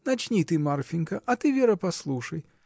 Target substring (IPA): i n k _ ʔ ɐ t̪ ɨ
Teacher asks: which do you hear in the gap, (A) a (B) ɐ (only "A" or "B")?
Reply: B